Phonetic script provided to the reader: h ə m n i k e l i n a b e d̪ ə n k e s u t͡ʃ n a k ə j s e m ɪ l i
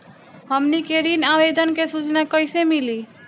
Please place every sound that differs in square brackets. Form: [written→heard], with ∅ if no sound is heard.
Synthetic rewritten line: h ə m n i k e [l→ɾ] i n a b e d̪ ə n k e s u t͡ʃ n a k ə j s e m [ɪ→i] l i